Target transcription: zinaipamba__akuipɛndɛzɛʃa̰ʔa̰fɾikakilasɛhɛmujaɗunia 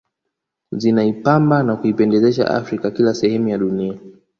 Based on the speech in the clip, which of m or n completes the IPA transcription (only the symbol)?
n